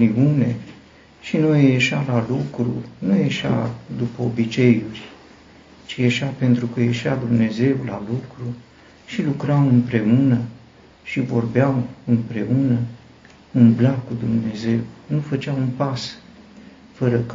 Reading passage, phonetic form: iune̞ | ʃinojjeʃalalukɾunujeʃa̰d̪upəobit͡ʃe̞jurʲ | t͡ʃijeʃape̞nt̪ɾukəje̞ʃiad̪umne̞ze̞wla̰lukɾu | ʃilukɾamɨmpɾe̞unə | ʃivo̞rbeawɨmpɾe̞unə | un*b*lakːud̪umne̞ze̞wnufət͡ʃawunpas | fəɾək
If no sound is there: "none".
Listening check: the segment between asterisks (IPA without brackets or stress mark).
b